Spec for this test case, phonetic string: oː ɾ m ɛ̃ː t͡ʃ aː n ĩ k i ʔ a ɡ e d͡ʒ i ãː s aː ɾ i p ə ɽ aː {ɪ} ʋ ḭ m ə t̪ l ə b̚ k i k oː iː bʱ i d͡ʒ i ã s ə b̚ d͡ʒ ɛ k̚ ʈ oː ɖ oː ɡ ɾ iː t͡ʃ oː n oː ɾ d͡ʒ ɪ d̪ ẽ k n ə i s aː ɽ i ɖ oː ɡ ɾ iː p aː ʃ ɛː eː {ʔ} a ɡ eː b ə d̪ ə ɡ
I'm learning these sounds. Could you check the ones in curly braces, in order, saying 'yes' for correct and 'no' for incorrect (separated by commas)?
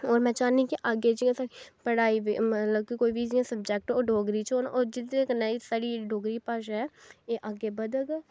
no, yes